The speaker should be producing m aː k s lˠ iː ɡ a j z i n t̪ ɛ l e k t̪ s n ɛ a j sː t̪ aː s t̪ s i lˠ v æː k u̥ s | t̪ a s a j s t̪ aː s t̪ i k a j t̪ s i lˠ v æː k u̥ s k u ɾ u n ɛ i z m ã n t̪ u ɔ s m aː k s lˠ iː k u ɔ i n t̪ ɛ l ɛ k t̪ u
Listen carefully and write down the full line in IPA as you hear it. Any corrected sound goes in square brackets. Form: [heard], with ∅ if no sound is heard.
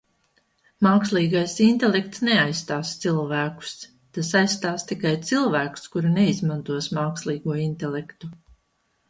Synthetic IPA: m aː k s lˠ iː ɡ a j [s] i n t̪ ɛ l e k t̪ s n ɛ a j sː t̪ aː s t̪ s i lˠ v æː k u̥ s | t̪ a s a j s t̪ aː s t̪ i k a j t̪ s i lˠ v æː k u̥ s k u ɾ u n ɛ i z m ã n t̪ u ɔ s m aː k s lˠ iː [ɡ] u ɔ i n t̪ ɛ l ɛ k t̪ u